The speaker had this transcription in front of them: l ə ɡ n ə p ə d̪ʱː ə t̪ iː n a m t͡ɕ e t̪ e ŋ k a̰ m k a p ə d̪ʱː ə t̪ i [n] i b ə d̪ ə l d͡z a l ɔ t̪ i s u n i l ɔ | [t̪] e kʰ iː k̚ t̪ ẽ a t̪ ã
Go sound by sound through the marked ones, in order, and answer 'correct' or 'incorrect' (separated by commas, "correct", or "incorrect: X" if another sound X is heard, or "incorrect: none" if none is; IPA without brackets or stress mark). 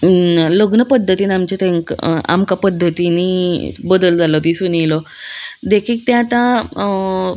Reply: correct, incorrect: d̪